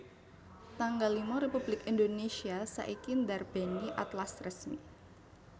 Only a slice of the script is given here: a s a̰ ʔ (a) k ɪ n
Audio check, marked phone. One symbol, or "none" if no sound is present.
i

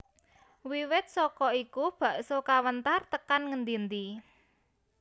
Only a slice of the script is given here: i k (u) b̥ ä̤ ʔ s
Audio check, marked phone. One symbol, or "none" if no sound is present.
u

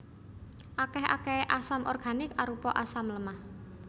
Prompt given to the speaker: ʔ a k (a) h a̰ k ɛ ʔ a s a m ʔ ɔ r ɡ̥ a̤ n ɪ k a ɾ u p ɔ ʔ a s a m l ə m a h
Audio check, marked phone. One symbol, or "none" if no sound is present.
ɛ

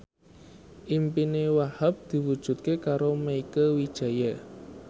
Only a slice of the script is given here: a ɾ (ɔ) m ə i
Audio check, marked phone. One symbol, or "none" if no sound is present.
o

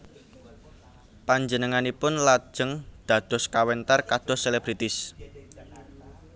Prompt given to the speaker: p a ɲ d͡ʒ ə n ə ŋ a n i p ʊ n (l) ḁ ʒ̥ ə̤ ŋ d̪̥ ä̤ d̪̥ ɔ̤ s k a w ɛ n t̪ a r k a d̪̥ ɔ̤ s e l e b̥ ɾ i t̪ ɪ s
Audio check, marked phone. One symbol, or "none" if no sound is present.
l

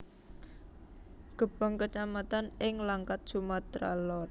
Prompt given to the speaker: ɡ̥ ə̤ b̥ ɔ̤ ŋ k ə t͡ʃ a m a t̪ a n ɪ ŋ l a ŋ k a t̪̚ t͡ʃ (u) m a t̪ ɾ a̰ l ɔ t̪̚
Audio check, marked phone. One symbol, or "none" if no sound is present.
u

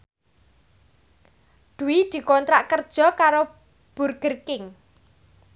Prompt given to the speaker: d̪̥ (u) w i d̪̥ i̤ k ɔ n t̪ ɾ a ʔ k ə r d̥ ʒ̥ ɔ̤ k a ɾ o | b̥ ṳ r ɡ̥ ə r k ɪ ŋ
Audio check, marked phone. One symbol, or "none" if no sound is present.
u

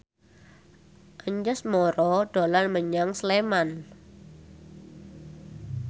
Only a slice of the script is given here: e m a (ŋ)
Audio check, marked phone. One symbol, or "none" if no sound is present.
n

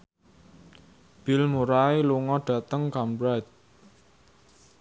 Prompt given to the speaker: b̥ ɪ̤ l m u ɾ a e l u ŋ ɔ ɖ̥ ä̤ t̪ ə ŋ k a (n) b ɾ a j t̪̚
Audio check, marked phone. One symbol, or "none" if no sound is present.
m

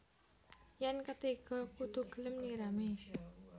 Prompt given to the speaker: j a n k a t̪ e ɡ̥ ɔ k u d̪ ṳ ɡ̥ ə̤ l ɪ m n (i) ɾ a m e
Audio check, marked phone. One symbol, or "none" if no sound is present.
i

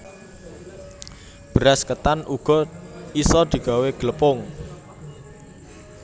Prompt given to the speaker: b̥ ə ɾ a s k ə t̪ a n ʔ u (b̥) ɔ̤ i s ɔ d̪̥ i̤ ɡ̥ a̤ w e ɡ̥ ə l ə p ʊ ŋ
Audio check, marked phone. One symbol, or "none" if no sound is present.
ɡ̥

